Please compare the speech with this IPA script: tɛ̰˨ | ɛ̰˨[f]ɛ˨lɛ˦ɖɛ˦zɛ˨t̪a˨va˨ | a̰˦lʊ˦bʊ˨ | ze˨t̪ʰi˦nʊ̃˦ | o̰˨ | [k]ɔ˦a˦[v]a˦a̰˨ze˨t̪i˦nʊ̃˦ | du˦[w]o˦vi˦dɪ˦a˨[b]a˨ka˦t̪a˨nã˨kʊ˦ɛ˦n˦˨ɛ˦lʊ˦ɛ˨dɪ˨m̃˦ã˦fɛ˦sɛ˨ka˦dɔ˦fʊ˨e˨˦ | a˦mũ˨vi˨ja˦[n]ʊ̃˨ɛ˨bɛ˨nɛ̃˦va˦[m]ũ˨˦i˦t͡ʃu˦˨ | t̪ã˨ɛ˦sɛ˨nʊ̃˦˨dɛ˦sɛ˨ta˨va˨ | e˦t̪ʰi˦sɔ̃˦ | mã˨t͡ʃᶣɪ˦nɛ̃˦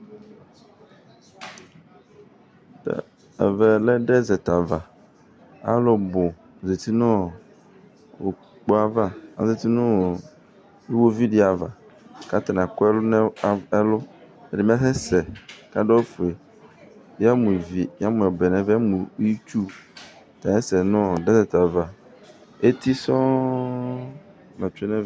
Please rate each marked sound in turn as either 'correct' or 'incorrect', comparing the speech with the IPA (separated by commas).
incorrect, incorrect, correct, correct, incorrect, incorrect, correct